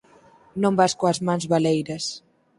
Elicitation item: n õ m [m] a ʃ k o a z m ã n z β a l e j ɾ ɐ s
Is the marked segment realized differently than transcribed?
yes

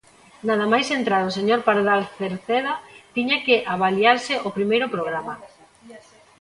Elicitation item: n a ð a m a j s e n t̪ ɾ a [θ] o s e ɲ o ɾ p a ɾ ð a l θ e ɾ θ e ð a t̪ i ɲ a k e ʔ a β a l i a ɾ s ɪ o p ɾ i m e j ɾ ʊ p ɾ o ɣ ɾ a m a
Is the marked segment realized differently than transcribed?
yes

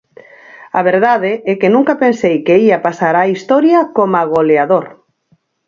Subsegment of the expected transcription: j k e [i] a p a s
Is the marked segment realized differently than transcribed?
no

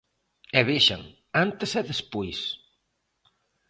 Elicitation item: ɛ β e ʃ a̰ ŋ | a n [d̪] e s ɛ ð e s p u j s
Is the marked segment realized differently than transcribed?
yes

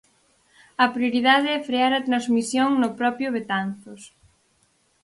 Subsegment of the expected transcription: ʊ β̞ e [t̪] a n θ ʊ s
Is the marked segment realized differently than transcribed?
no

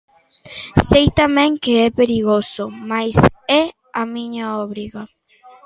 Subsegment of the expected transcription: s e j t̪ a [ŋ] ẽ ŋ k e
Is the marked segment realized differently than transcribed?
yes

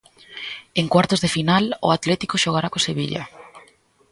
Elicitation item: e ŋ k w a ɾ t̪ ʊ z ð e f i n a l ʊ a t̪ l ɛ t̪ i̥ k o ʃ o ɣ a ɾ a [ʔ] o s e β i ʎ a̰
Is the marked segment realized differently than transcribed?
yes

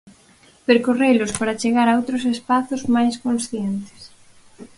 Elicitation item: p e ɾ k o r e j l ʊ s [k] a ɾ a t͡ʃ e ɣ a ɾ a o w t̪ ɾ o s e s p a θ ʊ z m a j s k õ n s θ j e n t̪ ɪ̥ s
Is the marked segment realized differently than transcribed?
yes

